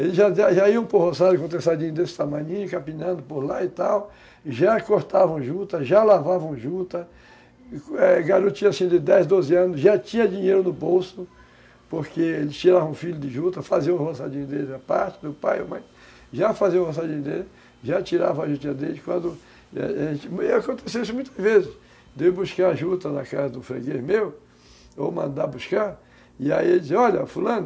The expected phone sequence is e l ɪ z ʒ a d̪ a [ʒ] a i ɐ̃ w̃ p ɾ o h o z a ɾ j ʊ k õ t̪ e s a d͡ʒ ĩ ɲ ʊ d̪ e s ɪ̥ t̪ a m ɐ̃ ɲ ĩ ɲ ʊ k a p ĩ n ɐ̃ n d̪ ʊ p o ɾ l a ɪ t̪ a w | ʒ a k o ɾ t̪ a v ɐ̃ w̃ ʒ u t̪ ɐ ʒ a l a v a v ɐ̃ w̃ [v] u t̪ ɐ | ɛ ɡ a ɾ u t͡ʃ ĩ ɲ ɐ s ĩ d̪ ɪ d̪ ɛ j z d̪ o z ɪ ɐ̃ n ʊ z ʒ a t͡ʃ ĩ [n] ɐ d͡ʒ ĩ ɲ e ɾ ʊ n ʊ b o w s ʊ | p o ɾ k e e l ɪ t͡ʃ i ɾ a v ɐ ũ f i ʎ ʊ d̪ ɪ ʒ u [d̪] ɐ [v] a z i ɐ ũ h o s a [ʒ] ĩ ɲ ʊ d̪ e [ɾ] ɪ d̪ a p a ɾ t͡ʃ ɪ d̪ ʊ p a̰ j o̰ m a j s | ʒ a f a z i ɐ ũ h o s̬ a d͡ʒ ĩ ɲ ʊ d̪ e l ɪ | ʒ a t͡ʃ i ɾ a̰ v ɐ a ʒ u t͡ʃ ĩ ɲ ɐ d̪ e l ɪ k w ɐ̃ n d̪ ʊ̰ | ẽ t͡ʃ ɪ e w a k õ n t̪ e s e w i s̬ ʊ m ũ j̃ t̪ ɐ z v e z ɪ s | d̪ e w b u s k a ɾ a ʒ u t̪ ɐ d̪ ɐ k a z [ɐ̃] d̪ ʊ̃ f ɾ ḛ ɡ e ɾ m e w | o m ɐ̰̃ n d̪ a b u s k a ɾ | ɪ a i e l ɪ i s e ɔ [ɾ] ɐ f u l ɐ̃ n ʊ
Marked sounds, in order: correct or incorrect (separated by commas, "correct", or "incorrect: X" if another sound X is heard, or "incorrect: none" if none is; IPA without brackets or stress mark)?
correct, incorrect: ʒ, incorrect: ɲ, incorrect: t̪, incorrect: f, incorrect: d͡ʒ, incorrect: l, incorrect: ɐ, incorrect: ʎ